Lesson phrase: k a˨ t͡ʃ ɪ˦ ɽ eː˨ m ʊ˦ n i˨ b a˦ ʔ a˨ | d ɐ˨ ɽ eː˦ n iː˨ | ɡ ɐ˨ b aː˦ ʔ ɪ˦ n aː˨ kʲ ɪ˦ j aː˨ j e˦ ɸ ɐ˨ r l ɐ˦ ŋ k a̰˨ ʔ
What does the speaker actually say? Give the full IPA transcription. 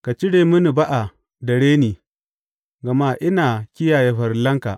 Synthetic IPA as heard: k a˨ t͡ʃ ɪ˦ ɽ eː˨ m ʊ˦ n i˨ b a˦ ʔ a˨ | d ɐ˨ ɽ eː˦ n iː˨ | ɡ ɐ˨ m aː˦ ʔ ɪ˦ n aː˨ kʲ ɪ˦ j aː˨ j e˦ ɸ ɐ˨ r l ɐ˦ ŋ k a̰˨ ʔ